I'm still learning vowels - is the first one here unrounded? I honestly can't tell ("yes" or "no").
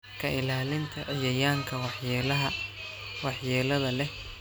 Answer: yes